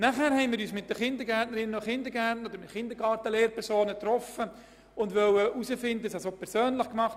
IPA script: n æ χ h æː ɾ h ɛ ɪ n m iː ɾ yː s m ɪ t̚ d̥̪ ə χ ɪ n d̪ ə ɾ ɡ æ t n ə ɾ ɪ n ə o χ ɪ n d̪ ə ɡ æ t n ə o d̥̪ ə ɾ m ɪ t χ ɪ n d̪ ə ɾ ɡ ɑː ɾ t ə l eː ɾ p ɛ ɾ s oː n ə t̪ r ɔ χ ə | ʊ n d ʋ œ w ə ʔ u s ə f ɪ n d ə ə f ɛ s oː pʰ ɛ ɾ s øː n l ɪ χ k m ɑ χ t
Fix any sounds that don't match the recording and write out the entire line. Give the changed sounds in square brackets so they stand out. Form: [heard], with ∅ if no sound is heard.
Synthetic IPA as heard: n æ χ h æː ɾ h ɛ ɪ n m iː ɾ yː s m ɪ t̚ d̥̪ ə χ ɪ n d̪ ə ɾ ɡ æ t n ə ɾ ɪ n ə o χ ɪ n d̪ ə ɡ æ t n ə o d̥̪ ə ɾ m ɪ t χ ɪ n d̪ ə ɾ ɡ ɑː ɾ t ə l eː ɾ p ɛ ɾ s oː n ə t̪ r ɔ [f] ə | ʊ n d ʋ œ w ə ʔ u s ə f ɪ n d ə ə [s] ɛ s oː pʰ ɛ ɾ s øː n l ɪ χ k m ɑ χ t